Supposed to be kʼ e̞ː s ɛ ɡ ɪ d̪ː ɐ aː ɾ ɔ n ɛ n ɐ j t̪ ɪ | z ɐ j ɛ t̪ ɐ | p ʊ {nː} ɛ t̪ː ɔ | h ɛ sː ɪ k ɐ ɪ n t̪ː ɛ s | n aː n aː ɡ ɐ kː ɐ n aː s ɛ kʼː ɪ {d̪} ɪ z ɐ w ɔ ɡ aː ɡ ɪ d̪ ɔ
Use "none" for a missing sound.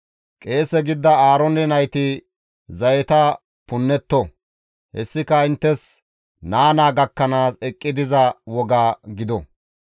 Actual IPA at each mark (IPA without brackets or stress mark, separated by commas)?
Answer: nː, d̪